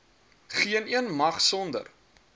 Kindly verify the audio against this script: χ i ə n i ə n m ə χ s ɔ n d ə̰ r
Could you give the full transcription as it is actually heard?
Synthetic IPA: χ i ə n i ə n m ɐ χ s ɔ n d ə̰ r